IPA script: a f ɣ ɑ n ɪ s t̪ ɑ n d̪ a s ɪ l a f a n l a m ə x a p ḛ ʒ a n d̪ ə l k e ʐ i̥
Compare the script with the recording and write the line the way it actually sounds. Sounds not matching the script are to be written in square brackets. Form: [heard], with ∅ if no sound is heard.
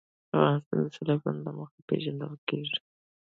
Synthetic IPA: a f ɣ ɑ n ɪ s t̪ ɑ n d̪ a s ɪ l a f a n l a m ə x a p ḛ ʒ a n d̪ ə l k e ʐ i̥